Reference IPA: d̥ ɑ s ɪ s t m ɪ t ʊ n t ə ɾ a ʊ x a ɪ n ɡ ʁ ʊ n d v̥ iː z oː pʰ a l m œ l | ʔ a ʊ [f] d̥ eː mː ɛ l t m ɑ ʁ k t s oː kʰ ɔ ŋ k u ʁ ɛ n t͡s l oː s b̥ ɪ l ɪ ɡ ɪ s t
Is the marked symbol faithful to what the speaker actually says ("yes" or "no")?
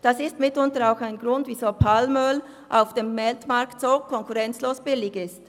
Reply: yes